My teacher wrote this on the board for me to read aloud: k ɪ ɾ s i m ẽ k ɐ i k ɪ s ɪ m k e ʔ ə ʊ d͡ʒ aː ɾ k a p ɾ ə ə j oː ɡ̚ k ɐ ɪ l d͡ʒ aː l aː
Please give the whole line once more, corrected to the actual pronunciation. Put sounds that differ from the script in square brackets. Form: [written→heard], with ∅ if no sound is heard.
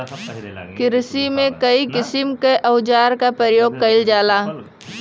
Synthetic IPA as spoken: k ɪ ɾ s i m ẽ k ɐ i k ɪ s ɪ m k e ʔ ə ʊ d͡ʒ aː ɾ k a p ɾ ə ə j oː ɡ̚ k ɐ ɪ l d͡ʒ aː l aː